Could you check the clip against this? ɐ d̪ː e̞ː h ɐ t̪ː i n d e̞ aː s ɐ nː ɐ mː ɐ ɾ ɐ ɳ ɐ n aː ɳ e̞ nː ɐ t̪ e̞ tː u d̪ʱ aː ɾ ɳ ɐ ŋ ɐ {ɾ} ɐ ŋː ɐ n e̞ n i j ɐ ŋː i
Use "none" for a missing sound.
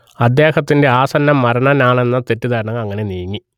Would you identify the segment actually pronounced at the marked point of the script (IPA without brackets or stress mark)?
none